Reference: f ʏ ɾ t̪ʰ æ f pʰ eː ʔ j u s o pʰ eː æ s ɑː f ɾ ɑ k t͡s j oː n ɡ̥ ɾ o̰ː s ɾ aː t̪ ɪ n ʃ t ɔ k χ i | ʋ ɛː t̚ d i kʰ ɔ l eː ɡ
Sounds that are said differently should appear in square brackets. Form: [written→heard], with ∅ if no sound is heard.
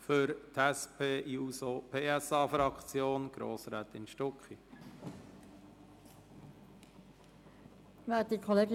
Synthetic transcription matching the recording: f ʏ ɾ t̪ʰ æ [f→s] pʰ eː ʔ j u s o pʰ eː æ s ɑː f ɾ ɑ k t͡s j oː n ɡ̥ ɾ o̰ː s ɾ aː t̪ ɪ n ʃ t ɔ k χ i | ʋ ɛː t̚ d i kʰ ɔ l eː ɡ